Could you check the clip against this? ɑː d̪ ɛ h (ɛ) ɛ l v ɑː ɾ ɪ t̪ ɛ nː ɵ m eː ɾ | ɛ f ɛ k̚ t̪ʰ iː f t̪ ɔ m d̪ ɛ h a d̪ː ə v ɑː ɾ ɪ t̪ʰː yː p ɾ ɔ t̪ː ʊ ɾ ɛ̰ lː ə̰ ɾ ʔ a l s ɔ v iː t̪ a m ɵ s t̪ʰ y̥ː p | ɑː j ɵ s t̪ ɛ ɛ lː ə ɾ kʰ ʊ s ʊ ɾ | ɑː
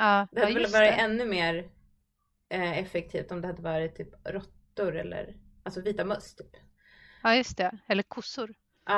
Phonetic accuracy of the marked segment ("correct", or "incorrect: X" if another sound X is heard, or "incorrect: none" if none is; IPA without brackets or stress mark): incorrect: a